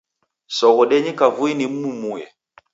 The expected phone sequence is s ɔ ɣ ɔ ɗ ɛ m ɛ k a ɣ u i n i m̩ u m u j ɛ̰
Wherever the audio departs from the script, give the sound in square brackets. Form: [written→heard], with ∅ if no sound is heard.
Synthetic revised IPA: s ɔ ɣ ɔ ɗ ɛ [m→ɲ] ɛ k a [ɣ→v] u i n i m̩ u m u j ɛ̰